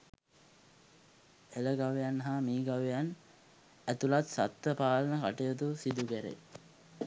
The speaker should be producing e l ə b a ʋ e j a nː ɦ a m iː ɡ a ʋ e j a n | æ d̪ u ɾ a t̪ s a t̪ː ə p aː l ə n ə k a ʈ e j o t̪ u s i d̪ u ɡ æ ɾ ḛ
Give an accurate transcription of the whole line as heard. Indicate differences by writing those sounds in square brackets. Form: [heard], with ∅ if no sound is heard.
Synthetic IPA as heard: e l ə [ɡ] a ʋ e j a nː ɦ a m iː ɡ a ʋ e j a n | æ [t̪] u [l] a t̪ s a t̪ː ə p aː l ə n ə k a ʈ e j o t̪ u s i d̪ u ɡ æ ɾ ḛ